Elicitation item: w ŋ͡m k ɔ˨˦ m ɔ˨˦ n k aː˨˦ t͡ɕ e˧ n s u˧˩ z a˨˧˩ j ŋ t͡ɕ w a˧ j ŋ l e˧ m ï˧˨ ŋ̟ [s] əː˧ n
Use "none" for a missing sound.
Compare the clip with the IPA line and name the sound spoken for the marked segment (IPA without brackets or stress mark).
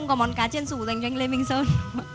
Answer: s